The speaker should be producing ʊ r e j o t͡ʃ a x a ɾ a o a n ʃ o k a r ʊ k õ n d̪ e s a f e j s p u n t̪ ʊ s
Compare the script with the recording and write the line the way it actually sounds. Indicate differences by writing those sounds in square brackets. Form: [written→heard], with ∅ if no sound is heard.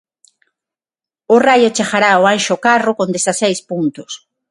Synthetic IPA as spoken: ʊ r [e→a] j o t͡ʃ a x a ɾ a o a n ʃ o k a r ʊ k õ n d̪ e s a [f→s] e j s p u n t̪ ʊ s